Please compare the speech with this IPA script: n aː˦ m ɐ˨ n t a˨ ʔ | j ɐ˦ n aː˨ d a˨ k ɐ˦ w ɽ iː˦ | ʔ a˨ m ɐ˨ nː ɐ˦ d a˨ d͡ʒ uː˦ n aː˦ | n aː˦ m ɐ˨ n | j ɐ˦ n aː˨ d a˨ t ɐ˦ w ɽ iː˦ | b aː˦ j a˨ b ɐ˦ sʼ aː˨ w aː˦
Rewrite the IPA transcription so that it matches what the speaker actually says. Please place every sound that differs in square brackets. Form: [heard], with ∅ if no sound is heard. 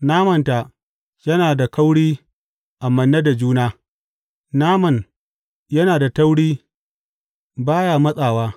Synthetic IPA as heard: n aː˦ m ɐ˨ n t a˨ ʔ | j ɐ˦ n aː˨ d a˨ k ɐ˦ w ɽ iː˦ | ʔ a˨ m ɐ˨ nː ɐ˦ d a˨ d͡ʒ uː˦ n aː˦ | n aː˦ m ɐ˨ n | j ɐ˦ n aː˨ d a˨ t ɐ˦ w ɽ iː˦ | b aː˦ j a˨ [m] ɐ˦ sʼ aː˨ w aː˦